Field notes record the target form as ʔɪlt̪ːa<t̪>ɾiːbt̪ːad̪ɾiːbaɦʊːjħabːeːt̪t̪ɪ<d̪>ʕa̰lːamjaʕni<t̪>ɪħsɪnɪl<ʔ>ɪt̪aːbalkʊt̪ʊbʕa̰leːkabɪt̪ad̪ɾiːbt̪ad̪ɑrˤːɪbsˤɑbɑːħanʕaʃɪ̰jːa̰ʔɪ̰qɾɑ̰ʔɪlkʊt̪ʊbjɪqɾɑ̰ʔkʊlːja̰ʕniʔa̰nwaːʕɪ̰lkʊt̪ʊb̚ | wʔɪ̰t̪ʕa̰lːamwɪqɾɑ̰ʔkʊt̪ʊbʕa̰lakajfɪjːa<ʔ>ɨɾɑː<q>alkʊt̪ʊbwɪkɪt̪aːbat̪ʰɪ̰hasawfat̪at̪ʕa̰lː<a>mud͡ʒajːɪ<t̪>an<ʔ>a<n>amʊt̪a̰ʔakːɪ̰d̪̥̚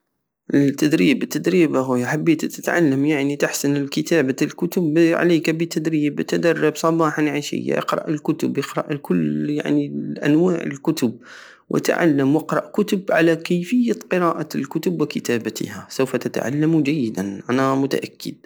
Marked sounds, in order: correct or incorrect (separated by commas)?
incorrect, incorrect, correct, incorrect, incorrect, incorrect, correct, incorrect, correct, correct